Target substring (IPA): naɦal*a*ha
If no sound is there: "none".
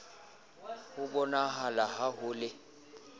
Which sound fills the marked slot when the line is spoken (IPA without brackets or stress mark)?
a